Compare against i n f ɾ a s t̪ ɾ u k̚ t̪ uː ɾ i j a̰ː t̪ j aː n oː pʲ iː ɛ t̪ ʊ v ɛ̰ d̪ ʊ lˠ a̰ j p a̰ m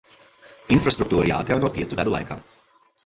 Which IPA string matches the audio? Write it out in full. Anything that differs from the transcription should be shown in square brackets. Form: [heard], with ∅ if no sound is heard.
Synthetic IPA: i n f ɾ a s t̪ ɾ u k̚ t̪ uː ɾ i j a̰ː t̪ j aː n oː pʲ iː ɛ t̪ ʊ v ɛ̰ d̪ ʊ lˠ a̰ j [k] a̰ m